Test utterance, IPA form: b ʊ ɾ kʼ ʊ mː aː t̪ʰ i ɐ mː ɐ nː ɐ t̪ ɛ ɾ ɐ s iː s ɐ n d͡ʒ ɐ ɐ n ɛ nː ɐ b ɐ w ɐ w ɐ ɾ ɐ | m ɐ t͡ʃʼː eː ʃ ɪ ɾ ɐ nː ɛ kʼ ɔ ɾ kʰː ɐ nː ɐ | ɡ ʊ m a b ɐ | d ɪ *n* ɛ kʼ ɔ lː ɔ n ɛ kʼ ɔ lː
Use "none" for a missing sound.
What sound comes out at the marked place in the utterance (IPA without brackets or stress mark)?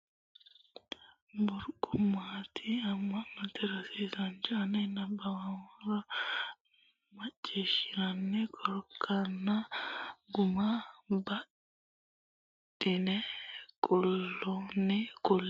n